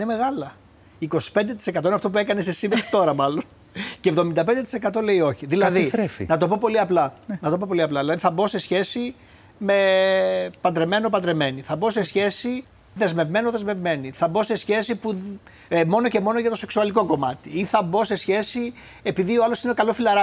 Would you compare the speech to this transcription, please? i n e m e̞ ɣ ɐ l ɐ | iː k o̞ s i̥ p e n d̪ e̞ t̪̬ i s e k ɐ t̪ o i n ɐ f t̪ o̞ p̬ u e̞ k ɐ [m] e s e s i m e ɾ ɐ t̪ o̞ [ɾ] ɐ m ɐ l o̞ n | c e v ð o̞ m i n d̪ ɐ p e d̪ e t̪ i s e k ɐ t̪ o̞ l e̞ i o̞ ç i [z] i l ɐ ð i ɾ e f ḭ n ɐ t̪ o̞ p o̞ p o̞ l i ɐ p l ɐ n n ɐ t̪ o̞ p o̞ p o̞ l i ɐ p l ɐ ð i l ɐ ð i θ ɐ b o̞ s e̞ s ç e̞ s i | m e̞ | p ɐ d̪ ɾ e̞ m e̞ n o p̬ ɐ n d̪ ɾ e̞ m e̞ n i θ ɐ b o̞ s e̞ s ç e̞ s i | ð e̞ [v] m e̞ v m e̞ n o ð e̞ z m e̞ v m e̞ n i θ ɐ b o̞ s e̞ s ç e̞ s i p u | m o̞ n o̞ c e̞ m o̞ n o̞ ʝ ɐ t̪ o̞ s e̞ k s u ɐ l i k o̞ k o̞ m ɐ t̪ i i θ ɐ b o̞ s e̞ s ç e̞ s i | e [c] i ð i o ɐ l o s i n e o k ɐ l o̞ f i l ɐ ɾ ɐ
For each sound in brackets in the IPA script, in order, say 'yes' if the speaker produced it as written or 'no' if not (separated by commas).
no, yes, no, no, no